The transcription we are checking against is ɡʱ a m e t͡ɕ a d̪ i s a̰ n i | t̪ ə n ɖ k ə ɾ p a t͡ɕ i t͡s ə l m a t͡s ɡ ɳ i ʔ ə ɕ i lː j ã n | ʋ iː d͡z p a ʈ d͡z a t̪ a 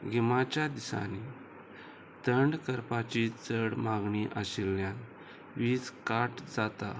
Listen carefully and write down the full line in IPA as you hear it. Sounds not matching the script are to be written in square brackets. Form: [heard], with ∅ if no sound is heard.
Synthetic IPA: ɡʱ [i] m [a] t͡ɕ a d̪ i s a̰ n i | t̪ ə [ɳ] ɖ k ə ɾ p a t͡ɕ i t͡s ə [ɽ] m a [∅] ɡ ɳ i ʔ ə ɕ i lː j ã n | ʋ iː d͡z [k] a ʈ d͡z a t̪ a

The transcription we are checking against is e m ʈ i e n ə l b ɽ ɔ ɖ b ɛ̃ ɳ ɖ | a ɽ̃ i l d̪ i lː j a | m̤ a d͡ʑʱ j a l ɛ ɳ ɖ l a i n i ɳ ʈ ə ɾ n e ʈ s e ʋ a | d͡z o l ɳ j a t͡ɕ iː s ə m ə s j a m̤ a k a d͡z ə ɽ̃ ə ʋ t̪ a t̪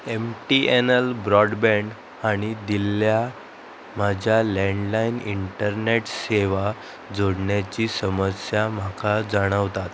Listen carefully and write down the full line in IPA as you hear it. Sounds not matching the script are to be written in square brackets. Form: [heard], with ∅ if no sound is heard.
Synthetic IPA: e m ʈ i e n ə l b [ɾ] ɔ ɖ b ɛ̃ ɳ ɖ | a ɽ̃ i [∅] d̪ i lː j a | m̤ a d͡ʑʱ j a l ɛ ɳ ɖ l a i n i ɳ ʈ ə ɾ n e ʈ s e ʋ a | d͡z o [ɽ] ɳ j a t͡ɕ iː s ə m ə s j a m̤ a k a d͡z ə ɽ̃ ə ʋ t̪ a t̪

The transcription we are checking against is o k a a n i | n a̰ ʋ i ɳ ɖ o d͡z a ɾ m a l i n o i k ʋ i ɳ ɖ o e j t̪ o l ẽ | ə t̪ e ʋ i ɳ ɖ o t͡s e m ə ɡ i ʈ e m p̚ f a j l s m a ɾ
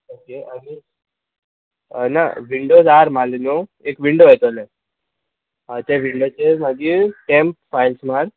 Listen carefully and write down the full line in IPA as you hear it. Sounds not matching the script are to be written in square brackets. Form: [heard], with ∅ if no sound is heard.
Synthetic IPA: o k [e] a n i | n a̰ ʋ i ɳ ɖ o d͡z a ɾ m a l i n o [e] k ʋ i ɳ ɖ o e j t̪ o l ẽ | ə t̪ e ʋ i ɳ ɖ o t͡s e m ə ɡ i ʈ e m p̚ f a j l s m a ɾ

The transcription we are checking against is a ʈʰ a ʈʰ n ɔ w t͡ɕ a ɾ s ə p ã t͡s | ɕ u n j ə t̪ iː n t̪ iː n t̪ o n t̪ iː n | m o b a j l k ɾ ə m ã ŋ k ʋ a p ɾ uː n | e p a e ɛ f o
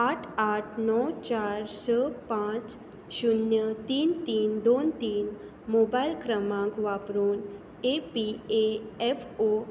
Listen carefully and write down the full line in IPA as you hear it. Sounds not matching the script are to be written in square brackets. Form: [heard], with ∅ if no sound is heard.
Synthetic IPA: a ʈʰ a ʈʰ n ɔ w t͡ɕ a ɾ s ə p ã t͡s | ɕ u n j ə t̪ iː n t̪ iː n [d̪] o n t̪ iː n | m o b a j l k ɾ ə m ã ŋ k ʋ a p ɾ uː n | e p [i] e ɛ f o

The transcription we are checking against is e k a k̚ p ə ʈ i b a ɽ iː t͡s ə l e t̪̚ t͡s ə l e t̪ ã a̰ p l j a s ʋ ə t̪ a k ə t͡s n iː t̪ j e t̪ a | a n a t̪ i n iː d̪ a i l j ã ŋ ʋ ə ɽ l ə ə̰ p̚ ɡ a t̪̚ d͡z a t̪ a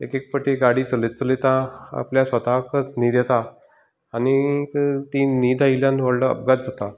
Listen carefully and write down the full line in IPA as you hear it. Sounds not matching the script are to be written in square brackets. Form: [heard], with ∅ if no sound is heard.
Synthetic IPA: e k [e] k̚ p ə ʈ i [ɡ] a ɽ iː t͡s ə l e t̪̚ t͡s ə l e t̪ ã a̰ p l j a s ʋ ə t̪ a k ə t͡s n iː [d̪] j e t̪ a | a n [i] t̪ i n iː d̪ a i l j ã [n] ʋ ə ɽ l ə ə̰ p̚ ɡ a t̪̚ d͡z a t̪ a

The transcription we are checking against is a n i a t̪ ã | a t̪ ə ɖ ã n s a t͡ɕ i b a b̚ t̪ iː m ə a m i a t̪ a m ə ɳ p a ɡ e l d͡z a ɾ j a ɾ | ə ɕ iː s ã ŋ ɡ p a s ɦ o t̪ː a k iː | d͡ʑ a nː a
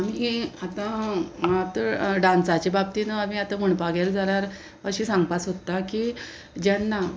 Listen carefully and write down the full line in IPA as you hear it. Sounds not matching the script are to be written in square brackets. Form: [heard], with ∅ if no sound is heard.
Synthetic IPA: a [m] i a t̪ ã | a t̪ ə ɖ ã n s a t͡ɕ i b a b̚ t̪ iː [n] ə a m i a t̪ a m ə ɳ p a ɡ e l d͡z a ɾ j a ɾ | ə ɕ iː s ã ŋ ɡ p a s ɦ o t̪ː a k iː | d͡ʑ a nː a

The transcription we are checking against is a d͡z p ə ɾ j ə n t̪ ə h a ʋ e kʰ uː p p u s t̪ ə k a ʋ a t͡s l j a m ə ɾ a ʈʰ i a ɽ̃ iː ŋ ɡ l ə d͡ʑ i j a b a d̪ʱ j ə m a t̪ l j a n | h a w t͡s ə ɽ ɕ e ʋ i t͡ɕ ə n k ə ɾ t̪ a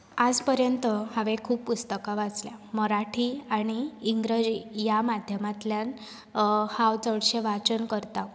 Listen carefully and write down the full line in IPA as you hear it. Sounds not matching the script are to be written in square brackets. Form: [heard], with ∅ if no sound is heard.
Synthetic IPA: a d͡z p ə ɾ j ə n t̪ ə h a ʋ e kʰ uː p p u s t̪ ə k a ʋ a t͡s l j a m ə ɾ a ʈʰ i a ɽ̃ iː ŋ ɡ [ɾ] ə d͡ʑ i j a [m] a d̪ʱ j ə m a t̪ l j a n | h a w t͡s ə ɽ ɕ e ʋ [a] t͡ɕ ə n k ə ɾ t̪ a

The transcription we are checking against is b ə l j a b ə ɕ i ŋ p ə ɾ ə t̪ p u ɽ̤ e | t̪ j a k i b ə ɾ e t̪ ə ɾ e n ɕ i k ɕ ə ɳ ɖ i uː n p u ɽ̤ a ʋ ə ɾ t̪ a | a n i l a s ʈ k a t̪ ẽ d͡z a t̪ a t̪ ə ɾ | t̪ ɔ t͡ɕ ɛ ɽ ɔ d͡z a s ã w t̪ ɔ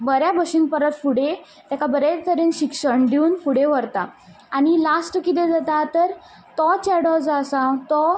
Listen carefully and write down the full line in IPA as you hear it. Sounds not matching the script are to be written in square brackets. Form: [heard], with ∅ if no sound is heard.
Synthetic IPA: b ə [ɾ] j a b ə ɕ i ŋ p ə ɾ ə t̪ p u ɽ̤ e | t̪ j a k [a] b ə ɾ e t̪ ə ɾ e n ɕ i k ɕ ə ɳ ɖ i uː n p u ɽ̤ [e] ʋ ə ɾ t̪ a | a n i l a s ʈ k [i] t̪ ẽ d͡z a t̪ a t̪ ə ɾ | t̪ ɔ t͡ɕ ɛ ɽ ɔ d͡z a s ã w t̪ ɔ

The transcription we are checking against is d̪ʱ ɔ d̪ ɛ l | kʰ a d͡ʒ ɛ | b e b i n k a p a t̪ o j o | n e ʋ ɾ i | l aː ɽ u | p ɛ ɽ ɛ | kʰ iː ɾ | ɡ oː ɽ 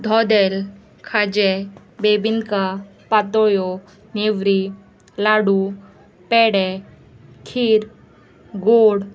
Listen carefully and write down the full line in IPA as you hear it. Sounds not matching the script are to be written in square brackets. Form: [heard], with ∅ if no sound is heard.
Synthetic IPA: d̪ʱ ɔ d̪ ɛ l | kʰ a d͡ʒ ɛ | b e b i n k a p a t̪ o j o | n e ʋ ɾ i | l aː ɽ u | p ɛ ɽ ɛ | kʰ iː ɾ | ɡ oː ɽ

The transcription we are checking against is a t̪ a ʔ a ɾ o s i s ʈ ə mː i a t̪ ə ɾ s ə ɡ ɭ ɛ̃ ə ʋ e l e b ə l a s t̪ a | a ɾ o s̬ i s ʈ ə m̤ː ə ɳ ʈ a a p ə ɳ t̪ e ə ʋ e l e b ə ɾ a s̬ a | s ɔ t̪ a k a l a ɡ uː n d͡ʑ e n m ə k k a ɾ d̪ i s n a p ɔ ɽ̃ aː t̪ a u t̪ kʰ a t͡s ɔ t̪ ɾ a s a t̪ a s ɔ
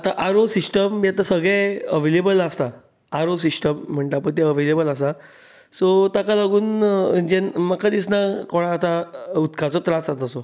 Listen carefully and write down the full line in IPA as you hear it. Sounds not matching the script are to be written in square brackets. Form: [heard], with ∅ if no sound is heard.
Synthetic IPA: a t̪ a ʔ a ɾ o s i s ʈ ə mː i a t̪ ə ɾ s ə ɡ ɭ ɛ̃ ə ʋ e l e b ə l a s t̪ a | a ɾ o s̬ i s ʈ ə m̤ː ə ɳ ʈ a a p ə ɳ t̪ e ə ʋ e l e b ə [l] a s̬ a | s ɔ t̪ a k a l a ɡ uː n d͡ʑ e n m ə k k a [∅] d̪ i s n a [k] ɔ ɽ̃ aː t̪ a u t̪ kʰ a t͡s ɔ t̪ ɾ a s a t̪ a s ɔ

